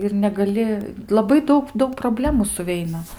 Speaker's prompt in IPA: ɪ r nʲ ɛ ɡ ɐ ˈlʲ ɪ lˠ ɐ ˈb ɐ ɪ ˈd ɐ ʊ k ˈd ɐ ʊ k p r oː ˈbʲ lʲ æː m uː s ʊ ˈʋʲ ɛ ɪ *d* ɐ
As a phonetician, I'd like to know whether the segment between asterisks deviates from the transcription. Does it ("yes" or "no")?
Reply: yes